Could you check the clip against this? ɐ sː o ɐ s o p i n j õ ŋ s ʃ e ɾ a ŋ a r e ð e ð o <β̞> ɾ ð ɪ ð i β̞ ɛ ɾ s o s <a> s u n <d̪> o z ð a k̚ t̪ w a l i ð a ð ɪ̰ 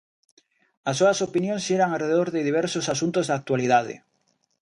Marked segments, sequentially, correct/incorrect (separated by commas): incorrect, correct, incorrect